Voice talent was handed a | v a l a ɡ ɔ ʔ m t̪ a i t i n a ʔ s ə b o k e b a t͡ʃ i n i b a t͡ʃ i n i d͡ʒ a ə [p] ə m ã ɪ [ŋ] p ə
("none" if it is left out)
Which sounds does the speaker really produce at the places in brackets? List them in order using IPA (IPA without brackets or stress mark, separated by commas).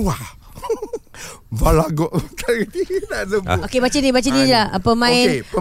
p, n